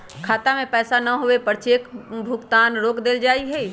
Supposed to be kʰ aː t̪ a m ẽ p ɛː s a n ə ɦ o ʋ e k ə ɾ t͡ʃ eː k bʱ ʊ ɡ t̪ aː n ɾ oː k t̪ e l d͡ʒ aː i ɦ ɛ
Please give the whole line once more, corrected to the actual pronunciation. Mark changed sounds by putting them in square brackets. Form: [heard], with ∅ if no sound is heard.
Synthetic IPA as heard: kʰ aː t̪ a m ẽ p ɛː s a n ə ɦ o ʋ e [p] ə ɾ t͡ʃ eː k bʱ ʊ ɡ t̪ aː n ɾ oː k [d̪] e l d͡ʒ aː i ɦ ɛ

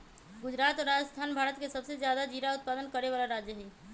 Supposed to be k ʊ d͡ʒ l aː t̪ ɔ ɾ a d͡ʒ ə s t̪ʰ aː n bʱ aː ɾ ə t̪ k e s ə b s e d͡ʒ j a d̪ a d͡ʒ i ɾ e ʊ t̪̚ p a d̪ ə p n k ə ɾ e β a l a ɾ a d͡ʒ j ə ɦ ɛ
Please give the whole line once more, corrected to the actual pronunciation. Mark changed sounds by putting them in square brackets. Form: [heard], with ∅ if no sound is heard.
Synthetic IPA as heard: [ɡ] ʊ d͡ʒ [ɾ] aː t̪ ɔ ɾ a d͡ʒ ə s t̪ʰ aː n bʱ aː ɾ ə t̪ k e s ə b s e d͡ʒ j a d̪ a d͡ʒ i ɾ [a] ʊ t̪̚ p a d̪ ə [∅] n k ə ɾ e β a l a ɾ a d͡ʒ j ə ɦ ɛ

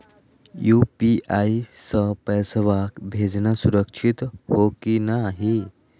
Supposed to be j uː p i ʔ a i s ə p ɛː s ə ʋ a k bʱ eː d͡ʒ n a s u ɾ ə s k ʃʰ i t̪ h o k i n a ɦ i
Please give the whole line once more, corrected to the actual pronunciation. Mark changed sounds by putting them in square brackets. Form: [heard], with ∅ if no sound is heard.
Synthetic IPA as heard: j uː p i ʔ a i s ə p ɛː s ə ʋ a k bʱ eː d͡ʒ n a s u ɾ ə [∅] k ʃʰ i t̪ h o k i n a ɦ i

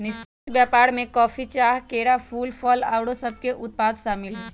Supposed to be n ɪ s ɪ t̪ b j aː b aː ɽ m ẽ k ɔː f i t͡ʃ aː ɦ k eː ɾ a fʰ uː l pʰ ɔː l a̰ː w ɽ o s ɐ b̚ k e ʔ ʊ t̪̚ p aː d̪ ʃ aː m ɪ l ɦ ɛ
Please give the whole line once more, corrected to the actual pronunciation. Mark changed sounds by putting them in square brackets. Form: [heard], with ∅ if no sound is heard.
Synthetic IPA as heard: n ɪ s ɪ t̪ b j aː [p] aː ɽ m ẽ k ɔː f i t͡ʃ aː ɦ k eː ɾ a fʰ uː l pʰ ɔː l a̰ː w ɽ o s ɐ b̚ k e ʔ ʊ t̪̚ p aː d̪ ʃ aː m ɪ l ɦ ɛ

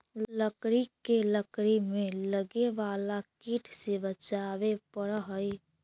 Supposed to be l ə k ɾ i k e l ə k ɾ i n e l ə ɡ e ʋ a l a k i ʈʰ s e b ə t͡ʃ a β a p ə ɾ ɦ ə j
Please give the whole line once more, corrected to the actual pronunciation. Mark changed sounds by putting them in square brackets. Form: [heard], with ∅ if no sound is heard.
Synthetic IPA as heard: l ə k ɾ i k e l ə k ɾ i [m] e l ə ɡ e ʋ a l a k i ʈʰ s e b ə t͡ʃ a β [e] p ə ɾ ɦ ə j

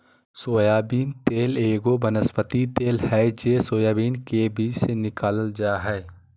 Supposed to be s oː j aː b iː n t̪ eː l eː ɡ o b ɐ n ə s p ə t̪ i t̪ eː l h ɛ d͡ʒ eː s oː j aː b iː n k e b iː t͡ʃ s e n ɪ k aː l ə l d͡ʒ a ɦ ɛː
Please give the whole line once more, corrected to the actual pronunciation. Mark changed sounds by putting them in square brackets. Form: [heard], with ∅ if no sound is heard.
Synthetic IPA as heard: s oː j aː b iː n t̪ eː l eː ɡ o b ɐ n ə s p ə t̪ i t̪ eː l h ɛ d͡ʒ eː s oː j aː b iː n k e b iː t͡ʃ s e n ɪ k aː l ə l d͡ʒ a ɦ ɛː

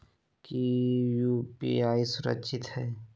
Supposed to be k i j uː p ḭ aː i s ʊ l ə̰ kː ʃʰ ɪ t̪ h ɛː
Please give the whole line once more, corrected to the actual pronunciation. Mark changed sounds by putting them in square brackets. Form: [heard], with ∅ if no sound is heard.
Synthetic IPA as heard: k i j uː p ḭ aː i s ʊ [ɾ] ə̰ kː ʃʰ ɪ t̪ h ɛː

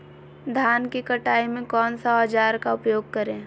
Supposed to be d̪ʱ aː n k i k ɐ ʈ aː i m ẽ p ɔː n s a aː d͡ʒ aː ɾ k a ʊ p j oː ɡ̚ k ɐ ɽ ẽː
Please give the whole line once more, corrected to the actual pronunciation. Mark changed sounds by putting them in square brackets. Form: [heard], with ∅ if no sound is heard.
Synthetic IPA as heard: d̪ʱ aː n k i k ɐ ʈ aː i m ẽ [k] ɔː n s a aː d͡ʒ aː ɾ k a ʊ p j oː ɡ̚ k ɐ [ɾ] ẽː

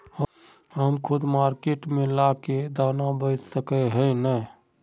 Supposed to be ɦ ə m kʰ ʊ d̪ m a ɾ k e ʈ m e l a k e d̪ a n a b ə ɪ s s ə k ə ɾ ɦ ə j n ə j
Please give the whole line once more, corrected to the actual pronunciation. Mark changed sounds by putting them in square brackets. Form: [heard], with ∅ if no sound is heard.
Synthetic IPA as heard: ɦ ə m kʰ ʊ d̪ m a ɾ k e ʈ m e l a k e d̪ a n a b ə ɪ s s ə k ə [∅] ɦ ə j n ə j

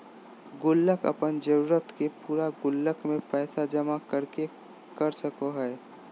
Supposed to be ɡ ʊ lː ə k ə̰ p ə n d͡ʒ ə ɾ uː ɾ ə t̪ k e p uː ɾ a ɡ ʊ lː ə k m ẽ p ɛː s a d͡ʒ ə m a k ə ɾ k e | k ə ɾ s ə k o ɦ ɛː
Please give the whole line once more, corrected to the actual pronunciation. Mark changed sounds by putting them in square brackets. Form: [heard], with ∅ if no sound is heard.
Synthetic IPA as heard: ɡ ʊ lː ə k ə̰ p ə n d͡ʒ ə ɾ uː ɾ ə t̪ k e p uː ɾ a ɡ ʊ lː ə k m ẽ p ɛː s a d͡ʒ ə m a k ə ɾ k e | k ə ɾ s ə k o ɦ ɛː

